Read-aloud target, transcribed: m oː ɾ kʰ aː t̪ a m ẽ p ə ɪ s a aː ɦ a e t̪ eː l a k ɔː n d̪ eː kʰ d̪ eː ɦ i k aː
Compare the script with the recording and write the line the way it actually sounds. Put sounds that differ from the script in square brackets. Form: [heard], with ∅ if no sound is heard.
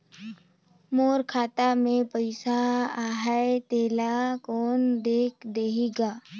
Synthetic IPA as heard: m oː ɾ kʰ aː t̪ a m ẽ p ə ɪ s a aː ɦ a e t̪ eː l a k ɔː n d̪ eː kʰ d̪ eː ɦ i [ɡ] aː

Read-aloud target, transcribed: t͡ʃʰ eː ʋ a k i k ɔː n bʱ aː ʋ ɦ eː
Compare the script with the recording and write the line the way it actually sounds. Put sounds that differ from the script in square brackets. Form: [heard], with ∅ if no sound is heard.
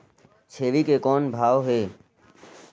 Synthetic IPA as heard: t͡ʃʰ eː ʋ [i] k [e] k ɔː n bʱ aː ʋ ɦ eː

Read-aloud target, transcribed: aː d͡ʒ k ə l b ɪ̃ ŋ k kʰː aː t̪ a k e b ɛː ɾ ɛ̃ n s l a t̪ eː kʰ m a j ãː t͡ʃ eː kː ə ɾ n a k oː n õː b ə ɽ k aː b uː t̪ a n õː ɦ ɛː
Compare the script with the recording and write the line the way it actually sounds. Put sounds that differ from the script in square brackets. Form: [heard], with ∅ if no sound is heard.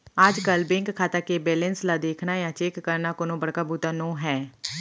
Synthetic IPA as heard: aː d͡ʒ k ə l b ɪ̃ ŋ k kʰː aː t̪ a k e b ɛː [l] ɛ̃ n s l a [d̪] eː kʰ [n] a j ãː t͡ʃ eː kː ə ɾ n a k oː n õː b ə ɽ k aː b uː t̪ a n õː ɦ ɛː

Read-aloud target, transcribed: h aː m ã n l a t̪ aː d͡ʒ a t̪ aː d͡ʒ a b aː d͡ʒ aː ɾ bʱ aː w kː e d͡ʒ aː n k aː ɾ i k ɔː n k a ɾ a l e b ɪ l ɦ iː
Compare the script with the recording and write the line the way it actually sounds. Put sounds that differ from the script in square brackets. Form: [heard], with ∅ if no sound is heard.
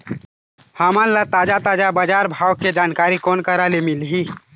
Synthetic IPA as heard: h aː m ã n l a t̪ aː d͡ʒ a t̪ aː d͡ʒ a b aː d͡ʒ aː ɾ bʱ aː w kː e d͡ʒ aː n k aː ɾ i k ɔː n k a ɾ a l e [m] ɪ l ɦ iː

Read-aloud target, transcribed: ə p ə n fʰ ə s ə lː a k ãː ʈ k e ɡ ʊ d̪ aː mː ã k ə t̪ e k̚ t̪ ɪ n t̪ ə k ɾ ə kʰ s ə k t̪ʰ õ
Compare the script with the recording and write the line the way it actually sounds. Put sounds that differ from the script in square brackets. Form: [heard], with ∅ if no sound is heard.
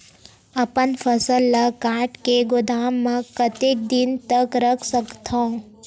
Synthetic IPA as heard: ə p ə n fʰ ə s ə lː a k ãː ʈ k e ɡ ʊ d̪ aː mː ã k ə t̪ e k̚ [d̪] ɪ n t̪ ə k ɾ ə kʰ s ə k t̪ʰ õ

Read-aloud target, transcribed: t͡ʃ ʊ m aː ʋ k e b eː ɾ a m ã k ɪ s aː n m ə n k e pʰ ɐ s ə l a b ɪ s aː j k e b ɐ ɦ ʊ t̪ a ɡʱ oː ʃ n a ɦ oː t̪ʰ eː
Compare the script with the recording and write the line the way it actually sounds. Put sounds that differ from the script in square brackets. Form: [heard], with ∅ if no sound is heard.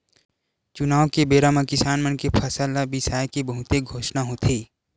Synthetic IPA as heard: t͡ʃ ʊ [n] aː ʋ k e b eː ɾ a m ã k ɪ s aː n m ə n k e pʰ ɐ s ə l a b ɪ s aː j k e b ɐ ɦ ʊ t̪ [e] ɡʱ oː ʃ n a ɦ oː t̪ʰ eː

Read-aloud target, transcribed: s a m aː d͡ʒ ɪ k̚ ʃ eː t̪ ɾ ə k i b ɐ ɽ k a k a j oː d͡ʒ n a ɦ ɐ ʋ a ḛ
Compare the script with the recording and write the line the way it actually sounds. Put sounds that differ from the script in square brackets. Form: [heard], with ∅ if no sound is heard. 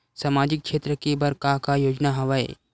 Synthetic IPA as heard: s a m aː d͡ʒ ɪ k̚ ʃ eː t̪ ɾ ə k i b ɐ [ɾ] k a k a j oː d͡ʒ n a ɦ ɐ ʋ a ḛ

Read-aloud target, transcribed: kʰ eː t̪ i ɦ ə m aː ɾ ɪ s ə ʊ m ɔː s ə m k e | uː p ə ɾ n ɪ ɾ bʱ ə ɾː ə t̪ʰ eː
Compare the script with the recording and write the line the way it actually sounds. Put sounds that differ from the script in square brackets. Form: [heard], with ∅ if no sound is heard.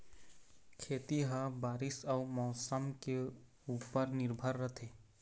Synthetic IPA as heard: kʰ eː t̪ i ɦ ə [b] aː ɾ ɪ s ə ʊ m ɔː s ə m k e | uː p ə ɾ n ɪ ɾ bʱ ə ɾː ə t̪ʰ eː

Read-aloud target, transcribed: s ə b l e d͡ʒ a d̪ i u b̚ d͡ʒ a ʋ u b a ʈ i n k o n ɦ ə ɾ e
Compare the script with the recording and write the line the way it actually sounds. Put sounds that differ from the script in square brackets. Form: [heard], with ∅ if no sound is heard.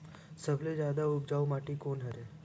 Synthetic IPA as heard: s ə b l e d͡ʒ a d̪ [a] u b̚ d͡ʒ a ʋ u [m] a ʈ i [∅] k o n ɦ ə ɾ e

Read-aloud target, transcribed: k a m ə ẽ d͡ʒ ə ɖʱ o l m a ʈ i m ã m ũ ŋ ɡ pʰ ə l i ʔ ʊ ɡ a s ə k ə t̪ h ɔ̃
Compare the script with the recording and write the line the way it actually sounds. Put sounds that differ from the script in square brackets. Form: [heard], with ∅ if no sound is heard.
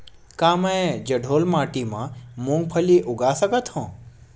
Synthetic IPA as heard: k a m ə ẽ d͡ʒ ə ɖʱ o l m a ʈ i m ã m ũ ŋ ɡ pʰ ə l i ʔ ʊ ɡ a s ə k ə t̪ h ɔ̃

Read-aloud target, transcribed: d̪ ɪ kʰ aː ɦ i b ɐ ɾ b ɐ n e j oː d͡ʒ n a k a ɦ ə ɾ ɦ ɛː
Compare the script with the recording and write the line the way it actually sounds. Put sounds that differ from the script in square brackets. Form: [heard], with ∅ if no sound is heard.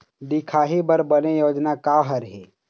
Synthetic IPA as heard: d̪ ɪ kʰ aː ɦ i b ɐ ɾ b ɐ n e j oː d͡ʒ n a k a ɦ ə ɾ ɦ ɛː

